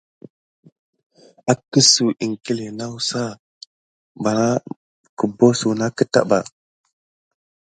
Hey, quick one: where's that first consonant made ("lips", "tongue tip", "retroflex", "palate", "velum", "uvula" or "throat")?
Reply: velum